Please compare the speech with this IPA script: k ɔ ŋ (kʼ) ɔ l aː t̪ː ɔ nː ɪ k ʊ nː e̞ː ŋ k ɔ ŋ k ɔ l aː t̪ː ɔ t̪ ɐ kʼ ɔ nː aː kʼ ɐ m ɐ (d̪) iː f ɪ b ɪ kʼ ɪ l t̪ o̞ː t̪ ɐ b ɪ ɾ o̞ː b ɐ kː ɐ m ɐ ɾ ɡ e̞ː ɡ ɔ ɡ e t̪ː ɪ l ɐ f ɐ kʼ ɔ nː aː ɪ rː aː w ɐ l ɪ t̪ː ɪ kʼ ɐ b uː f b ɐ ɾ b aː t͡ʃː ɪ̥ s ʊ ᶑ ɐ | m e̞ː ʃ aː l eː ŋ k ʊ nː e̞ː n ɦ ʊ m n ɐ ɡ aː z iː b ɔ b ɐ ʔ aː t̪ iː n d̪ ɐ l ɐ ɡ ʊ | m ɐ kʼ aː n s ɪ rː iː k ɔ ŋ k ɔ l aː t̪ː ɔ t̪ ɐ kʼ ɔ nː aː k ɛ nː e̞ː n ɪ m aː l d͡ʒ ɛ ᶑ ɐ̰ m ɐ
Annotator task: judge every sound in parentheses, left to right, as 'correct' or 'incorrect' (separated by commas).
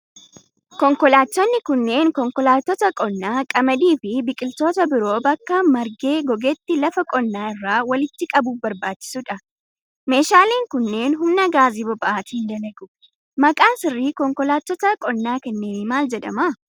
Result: incorrect, correct